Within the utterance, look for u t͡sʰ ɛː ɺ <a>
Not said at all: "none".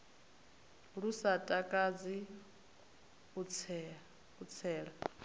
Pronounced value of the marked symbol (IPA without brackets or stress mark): a